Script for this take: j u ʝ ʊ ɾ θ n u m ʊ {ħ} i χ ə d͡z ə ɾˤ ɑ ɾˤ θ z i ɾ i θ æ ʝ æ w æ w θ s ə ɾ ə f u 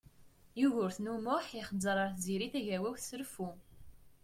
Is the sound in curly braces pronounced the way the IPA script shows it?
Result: yes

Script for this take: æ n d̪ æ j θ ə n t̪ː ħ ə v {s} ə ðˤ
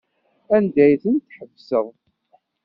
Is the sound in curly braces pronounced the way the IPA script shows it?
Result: yes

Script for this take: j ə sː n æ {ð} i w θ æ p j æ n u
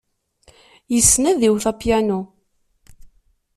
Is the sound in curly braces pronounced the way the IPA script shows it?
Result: yes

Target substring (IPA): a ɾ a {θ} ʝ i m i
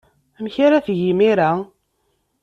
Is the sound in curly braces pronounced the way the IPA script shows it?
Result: yes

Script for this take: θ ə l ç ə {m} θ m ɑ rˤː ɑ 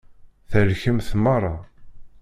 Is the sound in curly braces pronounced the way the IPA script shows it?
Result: yes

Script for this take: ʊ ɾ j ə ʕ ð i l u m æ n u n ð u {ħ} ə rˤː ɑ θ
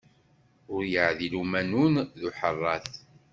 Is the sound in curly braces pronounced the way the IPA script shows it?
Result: yes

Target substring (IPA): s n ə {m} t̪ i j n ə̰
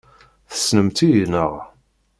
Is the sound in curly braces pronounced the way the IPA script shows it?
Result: yes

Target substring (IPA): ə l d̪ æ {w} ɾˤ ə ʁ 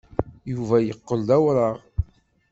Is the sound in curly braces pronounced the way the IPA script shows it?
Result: yes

